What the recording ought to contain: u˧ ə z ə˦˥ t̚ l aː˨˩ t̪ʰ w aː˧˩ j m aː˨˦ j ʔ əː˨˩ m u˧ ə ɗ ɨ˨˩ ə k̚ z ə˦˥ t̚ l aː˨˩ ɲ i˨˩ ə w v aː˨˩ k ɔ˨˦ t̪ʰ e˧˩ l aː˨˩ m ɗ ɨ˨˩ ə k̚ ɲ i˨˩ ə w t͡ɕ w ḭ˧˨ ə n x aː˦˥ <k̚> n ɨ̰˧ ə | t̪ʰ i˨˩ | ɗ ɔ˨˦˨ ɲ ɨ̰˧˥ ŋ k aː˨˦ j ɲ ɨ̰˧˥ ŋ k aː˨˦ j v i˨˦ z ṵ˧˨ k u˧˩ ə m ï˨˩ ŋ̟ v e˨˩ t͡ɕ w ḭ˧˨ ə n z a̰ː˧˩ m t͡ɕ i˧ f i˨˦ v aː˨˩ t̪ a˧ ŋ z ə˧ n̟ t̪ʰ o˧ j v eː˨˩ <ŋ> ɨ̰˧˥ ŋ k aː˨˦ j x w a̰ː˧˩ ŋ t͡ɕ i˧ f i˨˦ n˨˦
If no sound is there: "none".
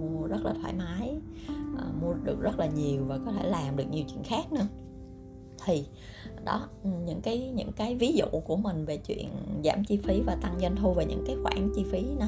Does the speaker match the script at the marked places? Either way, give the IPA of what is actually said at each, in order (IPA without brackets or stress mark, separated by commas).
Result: k̚, ɲ